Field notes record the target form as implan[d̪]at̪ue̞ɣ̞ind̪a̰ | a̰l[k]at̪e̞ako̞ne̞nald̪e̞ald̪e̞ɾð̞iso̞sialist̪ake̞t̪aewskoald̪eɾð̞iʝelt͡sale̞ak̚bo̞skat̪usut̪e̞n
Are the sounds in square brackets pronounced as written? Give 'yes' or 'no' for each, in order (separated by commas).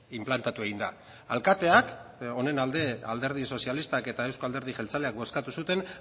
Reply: no, yes